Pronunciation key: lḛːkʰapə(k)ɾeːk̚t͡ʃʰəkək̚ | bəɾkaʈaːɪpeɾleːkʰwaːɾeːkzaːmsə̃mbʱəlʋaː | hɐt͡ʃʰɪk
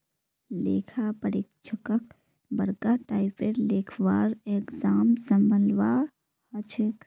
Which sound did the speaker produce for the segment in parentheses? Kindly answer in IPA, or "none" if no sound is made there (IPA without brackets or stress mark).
none